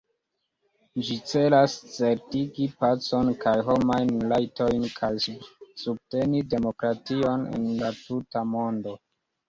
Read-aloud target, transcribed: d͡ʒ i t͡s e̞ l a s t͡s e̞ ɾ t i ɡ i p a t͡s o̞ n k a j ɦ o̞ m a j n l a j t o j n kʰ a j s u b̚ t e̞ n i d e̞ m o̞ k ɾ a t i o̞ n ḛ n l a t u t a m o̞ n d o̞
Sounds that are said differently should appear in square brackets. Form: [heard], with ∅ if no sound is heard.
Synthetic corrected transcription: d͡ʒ i t͡s e̞ l a s t͡s e̞ ɾ t i ɡ i p a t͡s o̞ n k a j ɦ o̞ m a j n l a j t o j n kʰ a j s u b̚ t e̞ n i d e̞ m o̞ k ɾ a t i o̞ n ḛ n l a t u t a m o̞ n d o̞